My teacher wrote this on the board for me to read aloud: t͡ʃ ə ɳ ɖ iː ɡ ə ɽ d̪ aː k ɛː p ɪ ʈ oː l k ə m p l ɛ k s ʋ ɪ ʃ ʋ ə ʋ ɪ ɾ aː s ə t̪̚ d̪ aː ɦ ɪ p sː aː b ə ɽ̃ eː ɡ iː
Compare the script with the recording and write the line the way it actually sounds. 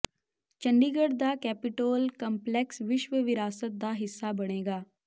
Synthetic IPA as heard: t͡ʃ ə ɳ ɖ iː ɡ ə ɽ d̪ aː k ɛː p ɪ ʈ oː l k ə m p l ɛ k s ʋ ɪ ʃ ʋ ə ʋ ɪ ɾ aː s ə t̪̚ d̪ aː ɦ ɪ sː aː b ə ɽ̃ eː ɡ aː